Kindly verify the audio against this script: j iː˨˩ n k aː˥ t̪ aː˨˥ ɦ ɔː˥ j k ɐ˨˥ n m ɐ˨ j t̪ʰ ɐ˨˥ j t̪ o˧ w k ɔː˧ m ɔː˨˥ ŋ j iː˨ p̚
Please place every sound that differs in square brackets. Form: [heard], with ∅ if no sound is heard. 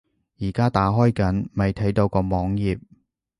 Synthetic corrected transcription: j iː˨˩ [∅] k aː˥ t̪ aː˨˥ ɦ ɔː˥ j k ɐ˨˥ n m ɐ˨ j t̪ʰ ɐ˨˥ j t̪ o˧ w k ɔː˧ m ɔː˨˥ ŋ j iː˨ p̚